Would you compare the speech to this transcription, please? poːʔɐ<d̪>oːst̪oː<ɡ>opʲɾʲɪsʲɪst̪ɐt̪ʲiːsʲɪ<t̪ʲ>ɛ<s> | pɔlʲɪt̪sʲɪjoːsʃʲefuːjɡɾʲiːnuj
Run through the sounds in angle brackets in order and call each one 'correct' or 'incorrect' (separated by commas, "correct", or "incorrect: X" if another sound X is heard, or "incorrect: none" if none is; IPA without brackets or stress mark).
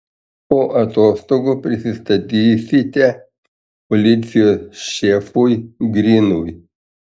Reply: incorrect: t̪, correct, correct, incorrect: none